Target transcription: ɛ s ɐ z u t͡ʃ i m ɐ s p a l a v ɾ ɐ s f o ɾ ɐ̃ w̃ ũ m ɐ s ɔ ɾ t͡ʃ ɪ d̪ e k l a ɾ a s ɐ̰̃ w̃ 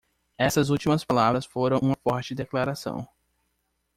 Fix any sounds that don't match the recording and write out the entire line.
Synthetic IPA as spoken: ɛ s ɐ z u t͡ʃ i m ɐ s p a l a v ɾ ɐ s f o ɾ ɐ̃ w̃ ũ m ɐ f ɔ ɾ t͡ʃ ɪ d̪ e k l a ɾ a s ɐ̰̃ w̃